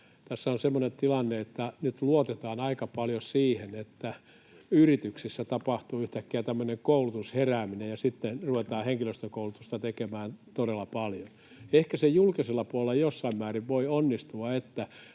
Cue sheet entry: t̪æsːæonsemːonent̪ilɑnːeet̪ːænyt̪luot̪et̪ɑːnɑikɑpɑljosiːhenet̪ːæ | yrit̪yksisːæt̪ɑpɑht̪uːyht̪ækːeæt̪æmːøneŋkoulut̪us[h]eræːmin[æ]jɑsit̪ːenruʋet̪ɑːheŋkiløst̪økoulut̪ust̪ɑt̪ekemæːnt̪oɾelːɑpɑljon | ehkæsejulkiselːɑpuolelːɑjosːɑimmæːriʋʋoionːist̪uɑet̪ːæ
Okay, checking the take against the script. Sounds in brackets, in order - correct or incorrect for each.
correct, incorrect

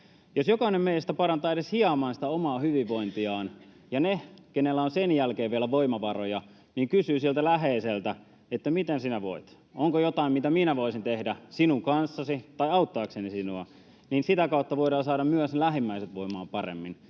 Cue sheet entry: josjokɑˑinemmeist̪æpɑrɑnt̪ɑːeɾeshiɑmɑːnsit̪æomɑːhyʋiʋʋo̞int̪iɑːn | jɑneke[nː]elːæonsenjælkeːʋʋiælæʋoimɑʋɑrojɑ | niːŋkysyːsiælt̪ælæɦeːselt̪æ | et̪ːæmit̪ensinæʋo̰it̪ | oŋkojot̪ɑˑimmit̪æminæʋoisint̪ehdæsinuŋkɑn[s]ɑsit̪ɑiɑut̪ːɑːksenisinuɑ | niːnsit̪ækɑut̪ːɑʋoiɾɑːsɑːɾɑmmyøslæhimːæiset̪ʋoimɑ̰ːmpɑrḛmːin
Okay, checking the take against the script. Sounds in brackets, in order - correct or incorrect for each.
incorrect, incorrect

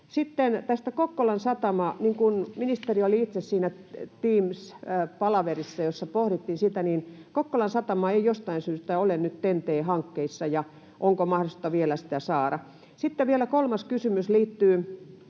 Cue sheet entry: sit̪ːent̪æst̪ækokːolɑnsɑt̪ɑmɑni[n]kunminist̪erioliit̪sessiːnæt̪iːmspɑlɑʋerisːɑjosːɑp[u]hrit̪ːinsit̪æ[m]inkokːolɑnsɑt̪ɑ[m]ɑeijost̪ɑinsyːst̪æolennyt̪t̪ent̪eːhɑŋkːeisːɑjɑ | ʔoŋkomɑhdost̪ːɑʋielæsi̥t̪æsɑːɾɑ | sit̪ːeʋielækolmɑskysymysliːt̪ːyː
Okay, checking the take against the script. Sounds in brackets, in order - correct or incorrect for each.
incorrect, incorrect, incorrect, correct

